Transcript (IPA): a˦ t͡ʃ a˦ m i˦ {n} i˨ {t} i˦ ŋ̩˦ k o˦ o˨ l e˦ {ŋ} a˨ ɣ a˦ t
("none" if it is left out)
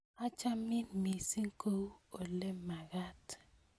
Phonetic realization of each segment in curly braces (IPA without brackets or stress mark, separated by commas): m, s, m